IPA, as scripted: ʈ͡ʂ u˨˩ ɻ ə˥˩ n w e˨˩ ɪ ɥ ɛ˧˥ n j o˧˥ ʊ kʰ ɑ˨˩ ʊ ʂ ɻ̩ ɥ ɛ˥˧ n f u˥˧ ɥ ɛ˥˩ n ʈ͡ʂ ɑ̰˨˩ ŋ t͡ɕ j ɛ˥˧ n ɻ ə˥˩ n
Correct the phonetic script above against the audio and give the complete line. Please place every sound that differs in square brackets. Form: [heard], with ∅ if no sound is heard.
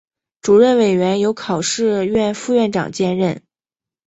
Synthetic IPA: ʈ͡ʂ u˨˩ ɻ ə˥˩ n w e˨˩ ɪ ɥ ɛ˧˥ n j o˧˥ ʊ kʰ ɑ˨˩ ʊ ʂ ɻ̩ ɥ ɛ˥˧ n f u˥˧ ɥ ɛ˥˩ n ʈ͡ʂ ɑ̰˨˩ ŋ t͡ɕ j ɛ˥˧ n ɻ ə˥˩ n